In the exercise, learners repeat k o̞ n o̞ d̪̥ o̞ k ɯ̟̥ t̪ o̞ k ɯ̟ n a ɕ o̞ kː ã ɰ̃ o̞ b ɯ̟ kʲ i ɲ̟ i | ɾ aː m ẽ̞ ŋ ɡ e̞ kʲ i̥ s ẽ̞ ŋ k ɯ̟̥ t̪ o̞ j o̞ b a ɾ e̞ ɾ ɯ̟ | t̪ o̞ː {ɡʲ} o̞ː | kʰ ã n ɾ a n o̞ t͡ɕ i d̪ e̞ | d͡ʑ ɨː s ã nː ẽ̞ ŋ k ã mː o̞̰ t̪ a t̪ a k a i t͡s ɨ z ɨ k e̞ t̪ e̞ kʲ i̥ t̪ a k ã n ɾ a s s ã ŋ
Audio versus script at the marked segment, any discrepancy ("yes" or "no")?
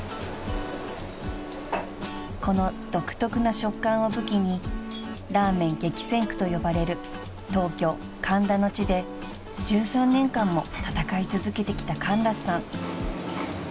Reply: yes